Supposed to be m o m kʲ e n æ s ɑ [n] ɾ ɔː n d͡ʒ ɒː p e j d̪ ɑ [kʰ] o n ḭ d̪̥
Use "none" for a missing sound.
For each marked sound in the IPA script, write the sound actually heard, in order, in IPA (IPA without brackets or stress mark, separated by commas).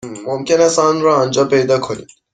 n, kʰ